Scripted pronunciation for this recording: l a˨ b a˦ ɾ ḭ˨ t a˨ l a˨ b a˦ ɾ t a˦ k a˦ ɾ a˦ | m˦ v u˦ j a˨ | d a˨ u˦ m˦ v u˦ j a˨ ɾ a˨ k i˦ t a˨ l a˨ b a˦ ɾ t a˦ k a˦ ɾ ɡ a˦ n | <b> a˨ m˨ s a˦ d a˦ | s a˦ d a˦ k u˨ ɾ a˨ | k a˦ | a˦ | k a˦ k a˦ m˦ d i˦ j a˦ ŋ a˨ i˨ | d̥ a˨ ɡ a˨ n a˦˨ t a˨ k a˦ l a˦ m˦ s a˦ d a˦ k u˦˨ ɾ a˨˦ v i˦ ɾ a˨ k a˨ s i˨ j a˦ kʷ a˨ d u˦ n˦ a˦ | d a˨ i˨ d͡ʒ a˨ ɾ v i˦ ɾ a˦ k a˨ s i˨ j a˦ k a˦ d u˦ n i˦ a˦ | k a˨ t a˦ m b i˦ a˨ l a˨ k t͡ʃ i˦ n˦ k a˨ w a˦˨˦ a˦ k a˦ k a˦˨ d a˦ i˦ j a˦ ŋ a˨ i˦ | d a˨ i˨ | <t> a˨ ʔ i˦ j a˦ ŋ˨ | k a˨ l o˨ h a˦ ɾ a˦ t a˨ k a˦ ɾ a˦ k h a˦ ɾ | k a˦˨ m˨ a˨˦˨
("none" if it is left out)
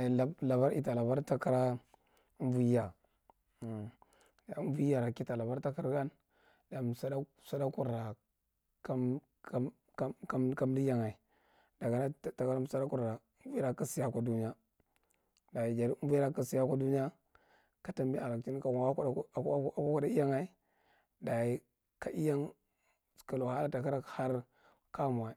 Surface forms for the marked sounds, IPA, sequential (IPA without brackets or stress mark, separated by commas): d, k